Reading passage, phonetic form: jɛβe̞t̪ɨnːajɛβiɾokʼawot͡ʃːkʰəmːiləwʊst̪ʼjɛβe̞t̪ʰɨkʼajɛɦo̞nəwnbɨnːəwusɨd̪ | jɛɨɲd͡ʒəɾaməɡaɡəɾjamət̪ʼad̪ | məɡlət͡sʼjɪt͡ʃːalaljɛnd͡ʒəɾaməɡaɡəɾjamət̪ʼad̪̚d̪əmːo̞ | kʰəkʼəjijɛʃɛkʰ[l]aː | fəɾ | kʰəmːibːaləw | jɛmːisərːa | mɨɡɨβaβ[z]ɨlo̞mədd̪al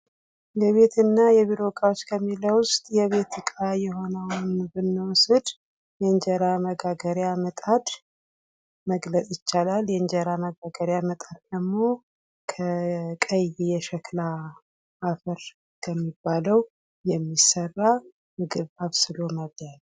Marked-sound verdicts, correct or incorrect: correct, incorrect: s

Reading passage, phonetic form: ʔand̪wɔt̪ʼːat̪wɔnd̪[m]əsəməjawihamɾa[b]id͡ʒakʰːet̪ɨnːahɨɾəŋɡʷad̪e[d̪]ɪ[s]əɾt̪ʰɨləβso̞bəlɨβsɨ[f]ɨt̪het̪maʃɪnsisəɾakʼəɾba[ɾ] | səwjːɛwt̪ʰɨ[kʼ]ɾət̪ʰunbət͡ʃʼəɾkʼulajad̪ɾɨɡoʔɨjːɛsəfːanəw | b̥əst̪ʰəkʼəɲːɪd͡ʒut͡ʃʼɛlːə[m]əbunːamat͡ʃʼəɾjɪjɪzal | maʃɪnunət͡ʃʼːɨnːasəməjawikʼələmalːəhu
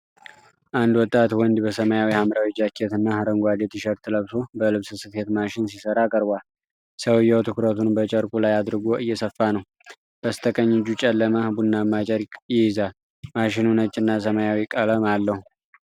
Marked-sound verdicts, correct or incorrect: incorrect: b, incorrect: w, incorrect: t̪, incorrect: ʃ, incorrect: s, incorrect: l, incorrect: k, correct

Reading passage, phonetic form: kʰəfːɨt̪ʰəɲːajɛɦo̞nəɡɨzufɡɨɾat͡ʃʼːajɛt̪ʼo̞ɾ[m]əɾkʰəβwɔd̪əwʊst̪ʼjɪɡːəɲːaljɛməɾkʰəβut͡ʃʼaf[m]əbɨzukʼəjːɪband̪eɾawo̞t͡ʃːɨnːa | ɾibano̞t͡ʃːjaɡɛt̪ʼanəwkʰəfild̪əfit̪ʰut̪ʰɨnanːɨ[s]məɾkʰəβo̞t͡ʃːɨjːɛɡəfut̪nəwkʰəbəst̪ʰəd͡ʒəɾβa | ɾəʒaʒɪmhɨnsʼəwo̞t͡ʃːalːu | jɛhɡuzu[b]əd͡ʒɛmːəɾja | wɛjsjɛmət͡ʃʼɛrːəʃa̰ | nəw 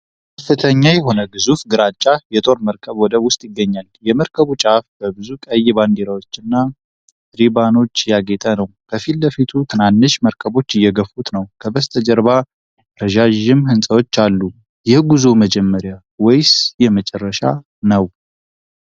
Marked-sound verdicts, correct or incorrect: correct, incorrect: b, incorrect: ʃ, incorrect: m

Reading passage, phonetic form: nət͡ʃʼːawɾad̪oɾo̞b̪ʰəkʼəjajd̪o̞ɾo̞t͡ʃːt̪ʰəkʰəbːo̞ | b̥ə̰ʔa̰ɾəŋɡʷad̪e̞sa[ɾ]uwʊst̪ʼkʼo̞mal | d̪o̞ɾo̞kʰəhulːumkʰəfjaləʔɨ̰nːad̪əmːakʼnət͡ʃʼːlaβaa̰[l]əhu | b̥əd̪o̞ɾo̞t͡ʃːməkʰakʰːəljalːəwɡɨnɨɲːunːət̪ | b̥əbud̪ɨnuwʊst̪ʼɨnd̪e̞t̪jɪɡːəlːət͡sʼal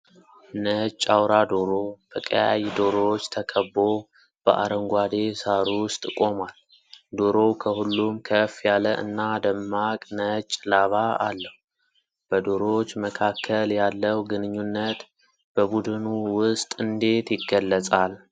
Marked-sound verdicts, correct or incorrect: correct, incorrect: lː

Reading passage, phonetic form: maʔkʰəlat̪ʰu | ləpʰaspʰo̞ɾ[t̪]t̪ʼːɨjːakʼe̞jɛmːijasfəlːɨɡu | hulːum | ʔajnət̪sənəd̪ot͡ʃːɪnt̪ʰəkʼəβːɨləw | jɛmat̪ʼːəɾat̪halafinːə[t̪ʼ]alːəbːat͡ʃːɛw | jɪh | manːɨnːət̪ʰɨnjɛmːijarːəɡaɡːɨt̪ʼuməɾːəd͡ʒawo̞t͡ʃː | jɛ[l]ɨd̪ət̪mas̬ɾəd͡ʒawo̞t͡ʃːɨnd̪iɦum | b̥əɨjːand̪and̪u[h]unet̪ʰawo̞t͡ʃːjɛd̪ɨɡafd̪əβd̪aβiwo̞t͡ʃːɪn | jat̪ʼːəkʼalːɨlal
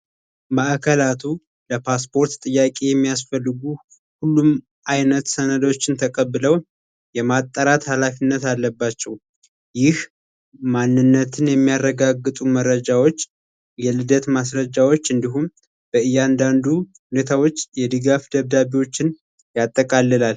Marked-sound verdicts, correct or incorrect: correct, incorrect: t̪, correct, correct

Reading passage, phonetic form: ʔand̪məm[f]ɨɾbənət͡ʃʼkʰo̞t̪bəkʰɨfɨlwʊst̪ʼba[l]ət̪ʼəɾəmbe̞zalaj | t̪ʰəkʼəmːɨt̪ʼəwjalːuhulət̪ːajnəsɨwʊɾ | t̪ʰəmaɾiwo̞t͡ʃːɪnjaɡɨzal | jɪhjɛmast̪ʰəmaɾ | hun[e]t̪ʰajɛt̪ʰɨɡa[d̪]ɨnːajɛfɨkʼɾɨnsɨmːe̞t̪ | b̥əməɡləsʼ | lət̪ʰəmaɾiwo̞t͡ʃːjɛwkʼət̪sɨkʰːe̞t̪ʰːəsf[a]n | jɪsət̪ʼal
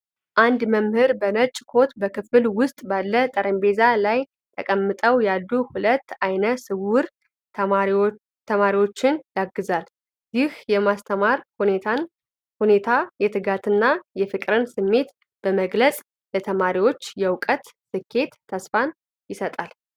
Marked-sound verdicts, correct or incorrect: incorrect: h, incorrect: lː, correct, incorrect: t̪, correct

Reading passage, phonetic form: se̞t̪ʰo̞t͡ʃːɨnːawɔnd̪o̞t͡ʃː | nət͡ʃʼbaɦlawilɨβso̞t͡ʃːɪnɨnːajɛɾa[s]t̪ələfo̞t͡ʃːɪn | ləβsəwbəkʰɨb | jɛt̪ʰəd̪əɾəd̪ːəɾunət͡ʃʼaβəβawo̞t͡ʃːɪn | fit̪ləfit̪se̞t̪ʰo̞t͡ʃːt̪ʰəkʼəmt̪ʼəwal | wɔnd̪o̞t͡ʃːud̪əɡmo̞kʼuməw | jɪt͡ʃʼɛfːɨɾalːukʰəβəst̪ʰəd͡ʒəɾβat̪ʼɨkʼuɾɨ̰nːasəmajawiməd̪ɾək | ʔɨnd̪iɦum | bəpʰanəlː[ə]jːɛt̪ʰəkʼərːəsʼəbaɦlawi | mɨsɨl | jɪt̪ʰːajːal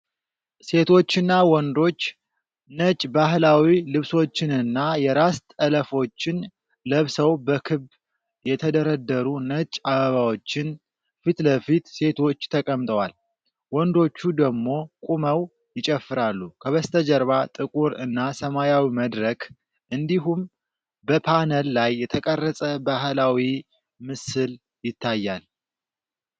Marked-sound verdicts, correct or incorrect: correct, incorrect: a

